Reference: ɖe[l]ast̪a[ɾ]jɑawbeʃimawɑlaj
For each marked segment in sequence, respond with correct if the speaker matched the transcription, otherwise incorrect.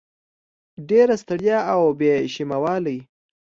incorrect, incorrect

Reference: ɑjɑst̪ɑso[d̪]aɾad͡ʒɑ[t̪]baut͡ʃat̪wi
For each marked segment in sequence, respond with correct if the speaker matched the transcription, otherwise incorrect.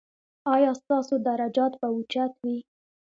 correct, correct

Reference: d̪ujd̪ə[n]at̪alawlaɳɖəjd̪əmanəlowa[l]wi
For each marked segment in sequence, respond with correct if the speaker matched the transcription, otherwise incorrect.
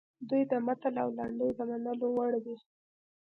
incorrect, incorrect

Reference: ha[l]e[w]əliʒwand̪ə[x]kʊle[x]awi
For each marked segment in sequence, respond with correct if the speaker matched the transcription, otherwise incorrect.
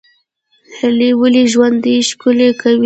correct, correct, incorrect, incorrect

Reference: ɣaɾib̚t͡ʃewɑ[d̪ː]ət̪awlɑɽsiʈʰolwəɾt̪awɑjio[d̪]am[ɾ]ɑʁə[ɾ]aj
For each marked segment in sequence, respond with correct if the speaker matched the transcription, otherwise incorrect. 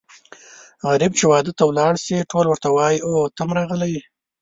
incorrect, incorrect, correct, incorrect

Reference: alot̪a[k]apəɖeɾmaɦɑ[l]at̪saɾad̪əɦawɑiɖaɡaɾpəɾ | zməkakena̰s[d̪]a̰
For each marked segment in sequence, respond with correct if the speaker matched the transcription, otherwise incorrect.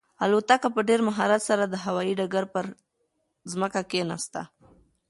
correct, incorrect, incorrect

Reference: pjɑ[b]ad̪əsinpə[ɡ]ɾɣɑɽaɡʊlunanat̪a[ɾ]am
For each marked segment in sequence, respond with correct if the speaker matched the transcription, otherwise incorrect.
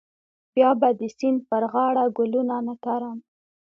correct, incorrect, correct

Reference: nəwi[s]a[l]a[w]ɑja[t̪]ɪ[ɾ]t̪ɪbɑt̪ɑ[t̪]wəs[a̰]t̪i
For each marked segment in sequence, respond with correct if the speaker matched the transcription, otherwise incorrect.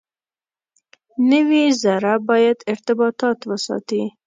incorrect, incorrect, incorrect, incorrect, correct, correct, incorrect

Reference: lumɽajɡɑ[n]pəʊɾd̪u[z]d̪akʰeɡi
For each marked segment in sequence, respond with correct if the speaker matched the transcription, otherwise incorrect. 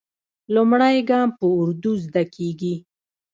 incorrect, correct

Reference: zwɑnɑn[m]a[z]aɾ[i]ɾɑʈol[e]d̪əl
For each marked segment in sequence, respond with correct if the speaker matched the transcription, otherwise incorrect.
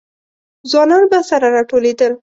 incorrect, incorrect, incorrect, correct

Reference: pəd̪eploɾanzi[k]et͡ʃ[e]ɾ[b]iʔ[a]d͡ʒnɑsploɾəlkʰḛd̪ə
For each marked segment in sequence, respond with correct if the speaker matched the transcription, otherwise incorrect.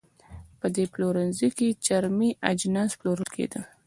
correct, incorrect, incorrect, correct

